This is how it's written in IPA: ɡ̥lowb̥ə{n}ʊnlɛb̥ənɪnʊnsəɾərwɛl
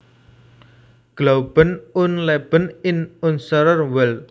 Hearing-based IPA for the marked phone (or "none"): n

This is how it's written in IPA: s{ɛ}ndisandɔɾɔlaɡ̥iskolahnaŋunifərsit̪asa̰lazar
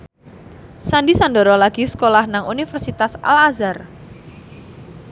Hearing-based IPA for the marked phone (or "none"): a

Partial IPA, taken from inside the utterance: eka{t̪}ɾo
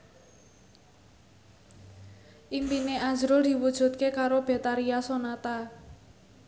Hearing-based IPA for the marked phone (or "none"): none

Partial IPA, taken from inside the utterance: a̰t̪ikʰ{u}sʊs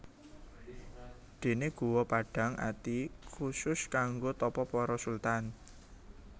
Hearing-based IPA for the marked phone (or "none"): u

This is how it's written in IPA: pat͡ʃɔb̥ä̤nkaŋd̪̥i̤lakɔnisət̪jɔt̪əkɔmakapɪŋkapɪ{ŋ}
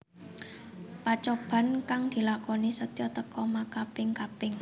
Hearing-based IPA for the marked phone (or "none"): ŋ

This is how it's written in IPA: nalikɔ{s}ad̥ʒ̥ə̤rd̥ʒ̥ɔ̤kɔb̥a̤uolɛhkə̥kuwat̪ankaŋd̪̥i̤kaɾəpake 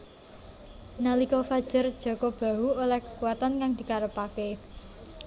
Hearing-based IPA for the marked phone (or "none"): f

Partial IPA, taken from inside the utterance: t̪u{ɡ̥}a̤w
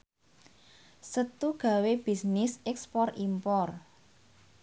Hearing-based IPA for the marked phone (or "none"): ɡ̥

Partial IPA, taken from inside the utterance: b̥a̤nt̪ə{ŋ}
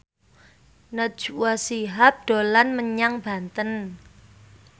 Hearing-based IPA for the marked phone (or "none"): n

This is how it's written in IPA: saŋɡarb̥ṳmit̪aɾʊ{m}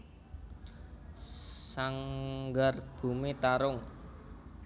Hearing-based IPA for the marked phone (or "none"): ŋ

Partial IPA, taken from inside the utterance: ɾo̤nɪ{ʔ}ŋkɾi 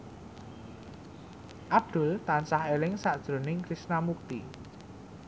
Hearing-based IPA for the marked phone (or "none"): none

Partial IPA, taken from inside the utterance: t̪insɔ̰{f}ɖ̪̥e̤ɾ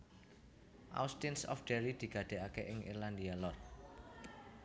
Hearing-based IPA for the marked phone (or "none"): f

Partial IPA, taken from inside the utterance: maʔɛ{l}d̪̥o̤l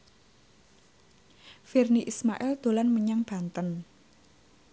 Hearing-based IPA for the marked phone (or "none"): l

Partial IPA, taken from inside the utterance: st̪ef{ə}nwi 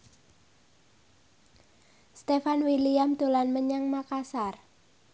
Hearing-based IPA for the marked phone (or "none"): a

